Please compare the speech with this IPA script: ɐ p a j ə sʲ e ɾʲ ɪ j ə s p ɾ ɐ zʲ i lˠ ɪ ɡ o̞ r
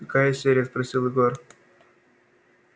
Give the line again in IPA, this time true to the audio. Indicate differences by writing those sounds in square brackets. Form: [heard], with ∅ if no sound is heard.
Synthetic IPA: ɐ [k] a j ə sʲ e ɾʲ ɪ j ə s p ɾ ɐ [sʲ] i lˠ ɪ ɡ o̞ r

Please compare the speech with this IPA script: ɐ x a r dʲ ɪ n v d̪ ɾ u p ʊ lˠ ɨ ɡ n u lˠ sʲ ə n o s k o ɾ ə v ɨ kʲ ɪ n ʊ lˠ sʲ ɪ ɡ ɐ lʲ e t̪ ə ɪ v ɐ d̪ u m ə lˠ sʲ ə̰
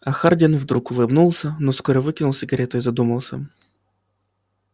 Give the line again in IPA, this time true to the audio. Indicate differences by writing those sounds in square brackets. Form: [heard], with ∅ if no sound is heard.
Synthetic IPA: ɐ x a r dʲ ɪ n v d̪ ɾ u [k] ʊ lˠ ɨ [b] n u lˠ sʲ ə n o s k o ɾ ə v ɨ kʲ ɪ n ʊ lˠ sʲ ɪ ɡ ɐ [ɾʲ] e t̪ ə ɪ [z] ɐ d̪ u m ə lˠ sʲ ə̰

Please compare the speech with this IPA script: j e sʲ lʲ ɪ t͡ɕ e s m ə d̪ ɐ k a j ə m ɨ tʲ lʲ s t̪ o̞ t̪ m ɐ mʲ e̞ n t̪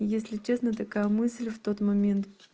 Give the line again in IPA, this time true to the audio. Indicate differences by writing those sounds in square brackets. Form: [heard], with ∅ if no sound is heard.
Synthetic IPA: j e sʲ lʲ ɪ t͡ɕ e s [n] ə [t̪] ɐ k a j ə m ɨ [sʲ] lʲ [f] t̪ o̞ t̪ m ɐ mʲ e̞ n t̪

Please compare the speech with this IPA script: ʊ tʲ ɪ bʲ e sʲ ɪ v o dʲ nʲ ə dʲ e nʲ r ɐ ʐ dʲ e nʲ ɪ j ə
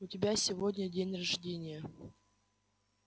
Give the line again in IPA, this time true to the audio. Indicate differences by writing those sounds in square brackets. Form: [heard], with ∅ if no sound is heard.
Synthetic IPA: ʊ tʲ ɪ bʲ [a] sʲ ɪ v o dʲ nʲ ə dʲ e nʲ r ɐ ʐ dʲ e nʲ ɪ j ə

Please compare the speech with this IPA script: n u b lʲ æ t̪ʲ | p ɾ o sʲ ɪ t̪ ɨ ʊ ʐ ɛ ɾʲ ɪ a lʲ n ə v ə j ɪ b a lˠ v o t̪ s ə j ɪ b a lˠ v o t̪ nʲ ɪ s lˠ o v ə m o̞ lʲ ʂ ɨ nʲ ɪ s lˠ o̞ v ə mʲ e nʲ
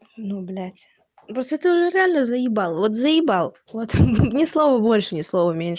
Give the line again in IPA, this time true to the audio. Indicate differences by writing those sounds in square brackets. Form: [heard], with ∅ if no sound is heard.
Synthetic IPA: n u b lʲ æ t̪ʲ | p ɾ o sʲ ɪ t̪ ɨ ʊ ʐ ɛ ɾʲ ɪ a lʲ n ə [z] ə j ɪ b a lˠ v o t̪ [z] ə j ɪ b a lˠ v o t̪ nʲ ɪ s lˠ o v ə [b] o̞ lʲ ʂ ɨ nʲ ɪ s lˠ o̞ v ə mʲ e nʲ

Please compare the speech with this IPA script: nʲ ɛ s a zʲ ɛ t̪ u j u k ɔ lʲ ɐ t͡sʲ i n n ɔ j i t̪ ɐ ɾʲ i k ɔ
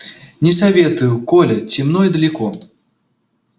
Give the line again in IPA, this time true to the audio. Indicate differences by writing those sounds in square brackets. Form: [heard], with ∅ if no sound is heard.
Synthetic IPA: nʲ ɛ s a [vʲ] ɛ t̪ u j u k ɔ lʲ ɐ t͡sʲ i [m] n ɔ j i [d̪] ɐ [lʲ] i k ɔ

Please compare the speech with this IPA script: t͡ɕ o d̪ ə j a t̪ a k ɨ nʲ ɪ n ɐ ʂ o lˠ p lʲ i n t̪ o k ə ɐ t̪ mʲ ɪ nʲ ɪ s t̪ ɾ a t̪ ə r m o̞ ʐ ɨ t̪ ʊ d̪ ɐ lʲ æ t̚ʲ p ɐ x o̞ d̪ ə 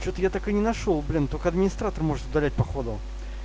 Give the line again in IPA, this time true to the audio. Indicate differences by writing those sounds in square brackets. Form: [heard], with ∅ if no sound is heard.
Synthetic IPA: t͡ɕ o [t̪] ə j a t̪ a k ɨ nʲ ɪ n ɐ ʂ o lˠ [b] lʲ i n t̪ o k ə ɐ [d̪] mʲ ɪ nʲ ɪ s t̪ ɾ a t̪ ə r m o̞ ʐ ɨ t̪ ʊ d̪ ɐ lʲ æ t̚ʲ p ɐ x o̞ d̪ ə

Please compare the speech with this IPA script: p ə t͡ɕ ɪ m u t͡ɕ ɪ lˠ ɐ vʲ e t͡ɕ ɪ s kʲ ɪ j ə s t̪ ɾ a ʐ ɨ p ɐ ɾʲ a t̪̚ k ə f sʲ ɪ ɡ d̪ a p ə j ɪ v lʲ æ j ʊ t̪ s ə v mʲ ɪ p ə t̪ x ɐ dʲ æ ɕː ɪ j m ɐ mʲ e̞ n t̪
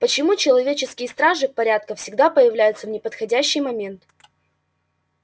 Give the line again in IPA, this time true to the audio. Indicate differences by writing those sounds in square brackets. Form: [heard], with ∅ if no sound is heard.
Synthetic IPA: p ə t͡ɕ ɪ m u t͡ɕ ɪ lˠ ɐ vʲ e t͡ɕ ɪ s kʲ ɪ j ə s t̪ ɾ a ʐ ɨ p ɐ ɾʲ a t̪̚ k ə f sʲ ɪ ɡ d̪ a p ə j ɪ v lʲ æ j ʊ t̪ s ə v [nʲ] ɪ p ə t̪ x ɐ dʲ æ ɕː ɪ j m ɐ mʲ e̞ n t̪

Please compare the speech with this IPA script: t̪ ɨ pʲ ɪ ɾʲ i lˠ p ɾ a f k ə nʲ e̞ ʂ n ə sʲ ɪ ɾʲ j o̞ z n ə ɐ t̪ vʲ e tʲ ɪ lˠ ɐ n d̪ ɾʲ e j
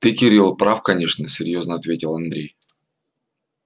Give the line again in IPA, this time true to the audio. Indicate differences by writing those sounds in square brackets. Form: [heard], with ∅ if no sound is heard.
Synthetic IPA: t̪ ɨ [kʲ] ɪ ɾʲ i lˠ p ɾ a f k [ɐ] nʲ e̞ ʂ n ə sʲ ɪ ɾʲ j o̞ z n ə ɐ t̪ vʲ e tʲ ɪ lˠ ɐ n d̪ ɾʲ e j

